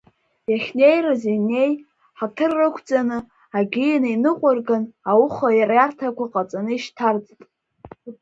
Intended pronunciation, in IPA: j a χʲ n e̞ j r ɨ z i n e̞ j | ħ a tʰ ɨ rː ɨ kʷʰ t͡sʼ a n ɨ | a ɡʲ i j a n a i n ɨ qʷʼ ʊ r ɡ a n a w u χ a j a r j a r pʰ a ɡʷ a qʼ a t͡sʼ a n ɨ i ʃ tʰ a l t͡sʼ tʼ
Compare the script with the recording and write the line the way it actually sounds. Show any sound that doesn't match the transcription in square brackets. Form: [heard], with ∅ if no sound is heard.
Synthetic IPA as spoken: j a χʲ n e̞ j r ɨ z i n e̞ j | ħ a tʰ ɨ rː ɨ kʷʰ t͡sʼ a n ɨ | a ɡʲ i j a n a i n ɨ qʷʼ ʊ r ɡ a n a w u χ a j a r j a r [tʰ] a [kʷ] a qʼ a t͡sʼ a n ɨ i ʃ tʰ a [r] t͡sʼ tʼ